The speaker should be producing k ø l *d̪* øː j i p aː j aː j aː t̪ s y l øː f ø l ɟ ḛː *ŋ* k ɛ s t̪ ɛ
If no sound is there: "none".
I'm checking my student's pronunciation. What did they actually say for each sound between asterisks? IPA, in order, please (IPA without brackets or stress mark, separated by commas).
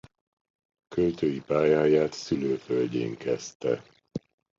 t̪, ŋ